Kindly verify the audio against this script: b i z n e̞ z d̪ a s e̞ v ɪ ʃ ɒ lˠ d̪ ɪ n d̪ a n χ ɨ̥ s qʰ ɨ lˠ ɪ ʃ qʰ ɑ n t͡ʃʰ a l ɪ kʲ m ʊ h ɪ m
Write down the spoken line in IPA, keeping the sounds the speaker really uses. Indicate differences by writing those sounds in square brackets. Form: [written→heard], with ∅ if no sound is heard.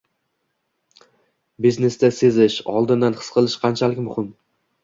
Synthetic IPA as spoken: b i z n e̞ [z→s] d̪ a s e̞ [v→z] ɪ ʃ ɒ lˠ d̪ ɪ n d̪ a n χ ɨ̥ s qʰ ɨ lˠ ɪ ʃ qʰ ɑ n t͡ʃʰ a l ɪ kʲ m ʊ h ɪ m